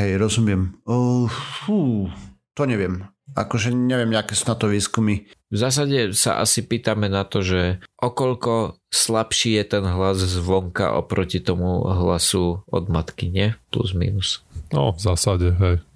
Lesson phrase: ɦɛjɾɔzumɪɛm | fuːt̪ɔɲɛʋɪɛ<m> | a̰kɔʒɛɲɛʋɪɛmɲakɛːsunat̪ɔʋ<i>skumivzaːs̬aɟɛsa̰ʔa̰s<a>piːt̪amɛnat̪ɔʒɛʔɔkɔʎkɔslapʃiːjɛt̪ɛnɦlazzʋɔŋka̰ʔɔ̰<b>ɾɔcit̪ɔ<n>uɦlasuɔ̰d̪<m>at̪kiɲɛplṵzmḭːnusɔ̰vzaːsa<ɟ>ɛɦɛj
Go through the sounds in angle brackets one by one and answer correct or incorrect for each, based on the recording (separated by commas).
correct, incorrect, incorrect, incorrect, incorrect, correct, correct